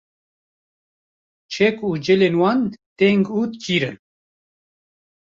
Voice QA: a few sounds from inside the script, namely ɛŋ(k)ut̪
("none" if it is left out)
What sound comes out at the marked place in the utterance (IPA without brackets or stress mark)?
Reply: ɡ